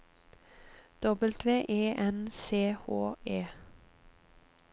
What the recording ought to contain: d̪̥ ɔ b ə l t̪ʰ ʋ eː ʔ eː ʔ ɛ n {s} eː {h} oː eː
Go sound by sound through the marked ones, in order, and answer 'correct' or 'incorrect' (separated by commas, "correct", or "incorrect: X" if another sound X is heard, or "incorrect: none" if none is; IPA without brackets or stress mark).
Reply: correct, correct